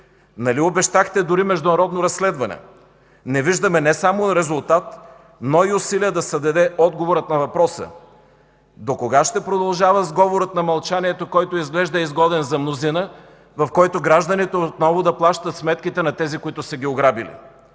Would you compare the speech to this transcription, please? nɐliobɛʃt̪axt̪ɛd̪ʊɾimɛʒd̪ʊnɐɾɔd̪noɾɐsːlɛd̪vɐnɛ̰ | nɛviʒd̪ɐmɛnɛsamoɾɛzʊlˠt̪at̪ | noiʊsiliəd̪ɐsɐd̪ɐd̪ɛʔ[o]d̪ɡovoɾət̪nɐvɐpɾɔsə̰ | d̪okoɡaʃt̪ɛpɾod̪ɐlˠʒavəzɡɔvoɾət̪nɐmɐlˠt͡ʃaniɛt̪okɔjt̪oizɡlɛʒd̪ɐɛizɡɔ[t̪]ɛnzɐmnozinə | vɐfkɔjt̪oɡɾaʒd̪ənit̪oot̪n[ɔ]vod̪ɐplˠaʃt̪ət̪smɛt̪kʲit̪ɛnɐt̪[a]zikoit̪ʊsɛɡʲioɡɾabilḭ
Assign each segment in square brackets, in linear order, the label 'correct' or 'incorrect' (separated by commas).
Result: incorrect, incorrect, correct, incorrect